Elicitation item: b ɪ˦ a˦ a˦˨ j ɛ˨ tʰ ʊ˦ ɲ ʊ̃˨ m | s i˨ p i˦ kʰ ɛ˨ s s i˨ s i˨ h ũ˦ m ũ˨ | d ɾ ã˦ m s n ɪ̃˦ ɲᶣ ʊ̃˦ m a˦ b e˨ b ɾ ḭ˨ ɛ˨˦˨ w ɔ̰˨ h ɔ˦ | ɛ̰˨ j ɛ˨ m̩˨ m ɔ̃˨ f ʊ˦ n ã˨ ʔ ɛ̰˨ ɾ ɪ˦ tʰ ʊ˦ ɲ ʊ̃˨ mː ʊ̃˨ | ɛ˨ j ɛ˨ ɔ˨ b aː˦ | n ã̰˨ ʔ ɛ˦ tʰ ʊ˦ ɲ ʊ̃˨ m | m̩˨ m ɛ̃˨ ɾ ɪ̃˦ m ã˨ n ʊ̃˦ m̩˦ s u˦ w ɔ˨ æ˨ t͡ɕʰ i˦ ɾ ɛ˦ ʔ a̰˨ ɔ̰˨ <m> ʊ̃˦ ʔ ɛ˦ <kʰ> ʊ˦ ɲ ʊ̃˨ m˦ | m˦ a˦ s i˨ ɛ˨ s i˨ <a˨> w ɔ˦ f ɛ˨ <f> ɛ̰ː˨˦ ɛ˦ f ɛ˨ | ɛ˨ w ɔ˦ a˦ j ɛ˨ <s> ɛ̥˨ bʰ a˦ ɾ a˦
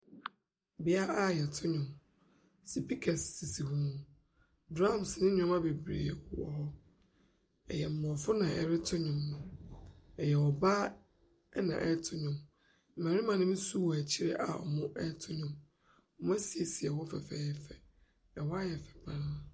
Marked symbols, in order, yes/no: yes, no, no, yes, no

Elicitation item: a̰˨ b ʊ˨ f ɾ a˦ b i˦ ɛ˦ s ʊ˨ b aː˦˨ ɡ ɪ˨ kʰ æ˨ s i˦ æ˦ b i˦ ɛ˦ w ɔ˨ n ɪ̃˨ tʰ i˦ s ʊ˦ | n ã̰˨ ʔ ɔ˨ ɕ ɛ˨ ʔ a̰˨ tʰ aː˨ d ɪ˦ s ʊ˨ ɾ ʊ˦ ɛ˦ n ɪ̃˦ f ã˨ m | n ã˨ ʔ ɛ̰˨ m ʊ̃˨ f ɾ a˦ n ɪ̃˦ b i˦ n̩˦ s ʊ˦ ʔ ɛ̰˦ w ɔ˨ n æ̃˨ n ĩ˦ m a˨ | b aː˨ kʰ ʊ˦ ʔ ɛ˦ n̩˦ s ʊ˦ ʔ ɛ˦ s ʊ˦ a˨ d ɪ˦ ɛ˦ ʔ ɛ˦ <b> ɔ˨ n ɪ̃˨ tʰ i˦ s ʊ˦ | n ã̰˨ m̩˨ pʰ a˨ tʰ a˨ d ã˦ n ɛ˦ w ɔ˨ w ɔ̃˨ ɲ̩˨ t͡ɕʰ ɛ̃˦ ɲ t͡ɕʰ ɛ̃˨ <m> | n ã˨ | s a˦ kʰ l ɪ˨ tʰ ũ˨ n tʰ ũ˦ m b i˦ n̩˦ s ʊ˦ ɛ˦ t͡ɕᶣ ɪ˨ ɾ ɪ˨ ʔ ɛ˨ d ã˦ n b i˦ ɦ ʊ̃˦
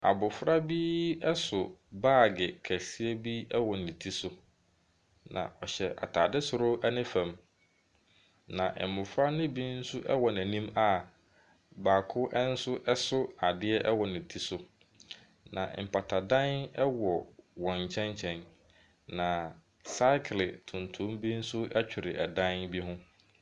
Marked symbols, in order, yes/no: no, no

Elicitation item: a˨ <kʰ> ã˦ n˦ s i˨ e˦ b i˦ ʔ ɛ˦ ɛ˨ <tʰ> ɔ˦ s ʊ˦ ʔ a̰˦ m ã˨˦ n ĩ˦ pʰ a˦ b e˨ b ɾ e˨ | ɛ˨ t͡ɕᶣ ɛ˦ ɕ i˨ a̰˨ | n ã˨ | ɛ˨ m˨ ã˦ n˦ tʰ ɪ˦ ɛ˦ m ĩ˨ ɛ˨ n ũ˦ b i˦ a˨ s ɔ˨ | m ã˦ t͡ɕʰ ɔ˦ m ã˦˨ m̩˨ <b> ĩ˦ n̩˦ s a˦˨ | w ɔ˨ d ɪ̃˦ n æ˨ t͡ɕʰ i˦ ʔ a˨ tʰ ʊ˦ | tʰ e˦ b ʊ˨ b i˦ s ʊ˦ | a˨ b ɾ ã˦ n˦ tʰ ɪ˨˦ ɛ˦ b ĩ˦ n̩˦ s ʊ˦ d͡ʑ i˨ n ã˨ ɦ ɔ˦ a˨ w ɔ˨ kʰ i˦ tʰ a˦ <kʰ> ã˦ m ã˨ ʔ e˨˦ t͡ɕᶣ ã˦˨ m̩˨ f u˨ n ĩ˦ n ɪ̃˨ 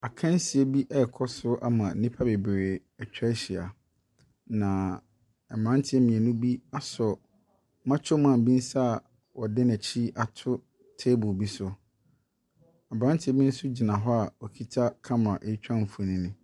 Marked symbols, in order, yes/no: yes, no, yes, yes

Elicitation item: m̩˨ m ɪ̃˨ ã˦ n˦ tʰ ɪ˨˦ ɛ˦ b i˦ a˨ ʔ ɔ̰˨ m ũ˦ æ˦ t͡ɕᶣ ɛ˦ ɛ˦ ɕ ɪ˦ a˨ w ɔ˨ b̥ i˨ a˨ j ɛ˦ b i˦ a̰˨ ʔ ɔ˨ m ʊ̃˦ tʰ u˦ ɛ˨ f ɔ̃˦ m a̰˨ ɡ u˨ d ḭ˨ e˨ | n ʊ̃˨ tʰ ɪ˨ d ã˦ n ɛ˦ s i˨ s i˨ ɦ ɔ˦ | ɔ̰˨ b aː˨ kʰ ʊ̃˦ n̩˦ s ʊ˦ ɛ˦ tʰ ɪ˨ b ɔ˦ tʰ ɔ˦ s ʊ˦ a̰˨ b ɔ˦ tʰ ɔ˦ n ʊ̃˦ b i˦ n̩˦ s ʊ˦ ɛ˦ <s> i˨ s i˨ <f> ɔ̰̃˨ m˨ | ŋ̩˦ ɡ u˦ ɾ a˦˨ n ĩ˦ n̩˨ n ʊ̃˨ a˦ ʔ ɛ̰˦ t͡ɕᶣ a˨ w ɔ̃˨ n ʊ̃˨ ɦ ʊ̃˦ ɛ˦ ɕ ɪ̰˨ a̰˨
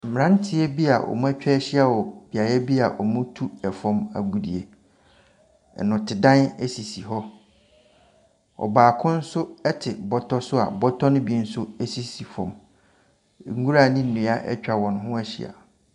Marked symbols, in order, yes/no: yes, yes

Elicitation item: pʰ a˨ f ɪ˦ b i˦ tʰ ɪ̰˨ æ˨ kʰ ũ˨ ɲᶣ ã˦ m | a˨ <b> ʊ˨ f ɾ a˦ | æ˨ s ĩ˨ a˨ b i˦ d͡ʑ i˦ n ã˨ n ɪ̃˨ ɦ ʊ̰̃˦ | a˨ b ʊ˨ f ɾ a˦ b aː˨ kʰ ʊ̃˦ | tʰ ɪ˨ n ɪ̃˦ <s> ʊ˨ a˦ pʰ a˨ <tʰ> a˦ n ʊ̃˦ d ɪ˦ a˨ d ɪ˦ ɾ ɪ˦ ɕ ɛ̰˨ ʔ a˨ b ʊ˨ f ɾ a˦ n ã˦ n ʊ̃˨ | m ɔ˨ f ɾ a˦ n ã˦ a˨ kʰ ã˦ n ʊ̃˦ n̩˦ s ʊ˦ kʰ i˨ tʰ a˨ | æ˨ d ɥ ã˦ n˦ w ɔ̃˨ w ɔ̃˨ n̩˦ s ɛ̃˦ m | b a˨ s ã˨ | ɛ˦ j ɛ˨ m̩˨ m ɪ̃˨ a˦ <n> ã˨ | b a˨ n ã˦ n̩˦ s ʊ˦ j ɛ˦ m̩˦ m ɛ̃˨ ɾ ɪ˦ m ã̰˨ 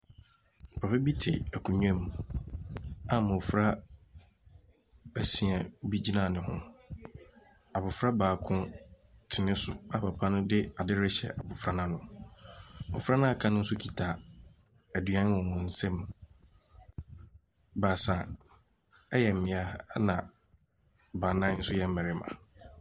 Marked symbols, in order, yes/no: no, yes, no, yes

